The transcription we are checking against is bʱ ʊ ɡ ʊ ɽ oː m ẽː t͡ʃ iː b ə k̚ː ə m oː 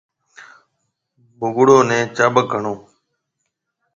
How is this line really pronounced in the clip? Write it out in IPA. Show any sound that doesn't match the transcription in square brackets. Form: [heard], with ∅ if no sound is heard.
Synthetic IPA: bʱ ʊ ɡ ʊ ɽ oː [n] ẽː t͡ʃ [aː] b ə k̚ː ə [ɳ] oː